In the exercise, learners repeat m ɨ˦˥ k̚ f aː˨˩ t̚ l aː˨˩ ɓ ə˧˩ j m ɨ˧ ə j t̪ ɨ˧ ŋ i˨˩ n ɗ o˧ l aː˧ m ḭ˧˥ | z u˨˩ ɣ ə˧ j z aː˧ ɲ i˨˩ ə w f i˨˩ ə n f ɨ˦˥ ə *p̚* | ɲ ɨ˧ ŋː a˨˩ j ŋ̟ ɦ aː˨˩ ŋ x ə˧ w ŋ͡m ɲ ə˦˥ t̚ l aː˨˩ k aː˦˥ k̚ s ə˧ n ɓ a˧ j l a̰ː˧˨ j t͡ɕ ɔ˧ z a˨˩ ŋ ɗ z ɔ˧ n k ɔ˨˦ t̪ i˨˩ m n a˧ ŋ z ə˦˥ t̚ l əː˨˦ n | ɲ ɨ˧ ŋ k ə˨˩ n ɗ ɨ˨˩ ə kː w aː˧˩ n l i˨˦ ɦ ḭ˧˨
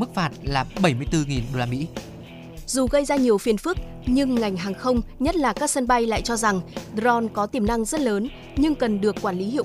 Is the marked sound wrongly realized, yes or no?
yes